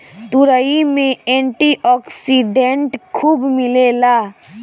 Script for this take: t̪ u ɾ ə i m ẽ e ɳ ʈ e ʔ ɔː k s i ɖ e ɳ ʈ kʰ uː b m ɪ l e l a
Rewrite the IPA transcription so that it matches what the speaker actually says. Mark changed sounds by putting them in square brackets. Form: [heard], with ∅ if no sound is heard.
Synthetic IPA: t̪ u ɾ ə i m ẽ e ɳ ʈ [i] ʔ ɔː k s i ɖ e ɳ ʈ kʰ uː b m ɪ l e l a